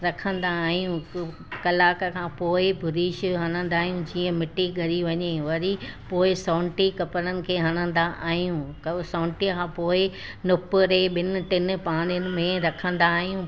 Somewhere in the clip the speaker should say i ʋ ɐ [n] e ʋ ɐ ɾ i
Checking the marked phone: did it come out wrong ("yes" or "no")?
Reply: yes